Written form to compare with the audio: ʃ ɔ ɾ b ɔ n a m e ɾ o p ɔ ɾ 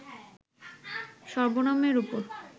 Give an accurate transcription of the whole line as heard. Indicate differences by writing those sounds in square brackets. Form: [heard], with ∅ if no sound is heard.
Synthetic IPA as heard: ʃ ɔ ɾ b [o] n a m e ɾ [u] p [o] ɾ